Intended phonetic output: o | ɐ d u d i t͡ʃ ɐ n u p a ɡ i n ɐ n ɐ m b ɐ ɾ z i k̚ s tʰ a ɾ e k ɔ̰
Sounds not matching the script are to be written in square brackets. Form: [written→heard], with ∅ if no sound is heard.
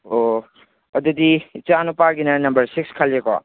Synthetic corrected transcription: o | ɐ d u d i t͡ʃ [ɐ→a] n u p a ɡ i n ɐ n ɐ m b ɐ ɾ [z→s] i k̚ s [tʰ→kʰ] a [ɾ→l] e k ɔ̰